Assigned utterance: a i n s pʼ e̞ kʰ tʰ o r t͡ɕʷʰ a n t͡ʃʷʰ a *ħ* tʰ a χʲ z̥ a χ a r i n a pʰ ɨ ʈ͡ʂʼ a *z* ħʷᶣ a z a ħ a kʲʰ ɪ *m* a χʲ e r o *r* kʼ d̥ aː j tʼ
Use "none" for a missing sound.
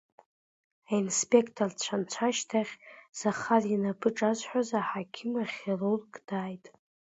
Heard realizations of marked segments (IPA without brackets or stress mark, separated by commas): ʃ, z, m, r